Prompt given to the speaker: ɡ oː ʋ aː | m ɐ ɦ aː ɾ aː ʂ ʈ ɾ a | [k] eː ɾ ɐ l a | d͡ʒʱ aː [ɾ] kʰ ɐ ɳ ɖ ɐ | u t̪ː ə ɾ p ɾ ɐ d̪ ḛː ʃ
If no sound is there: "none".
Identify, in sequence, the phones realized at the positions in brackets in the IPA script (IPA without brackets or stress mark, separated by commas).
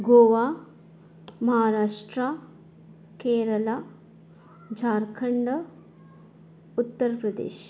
k, ɾ